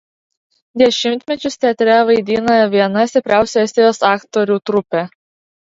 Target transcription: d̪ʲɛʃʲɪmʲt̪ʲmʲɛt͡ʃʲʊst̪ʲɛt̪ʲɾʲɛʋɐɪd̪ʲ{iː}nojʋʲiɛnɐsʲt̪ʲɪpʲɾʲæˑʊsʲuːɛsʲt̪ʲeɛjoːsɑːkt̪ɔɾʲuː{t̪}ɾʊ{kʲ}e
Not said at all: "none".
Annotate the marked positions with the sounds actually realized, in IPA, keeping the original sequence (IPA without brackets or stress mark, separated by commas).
iː, t̪, pʲ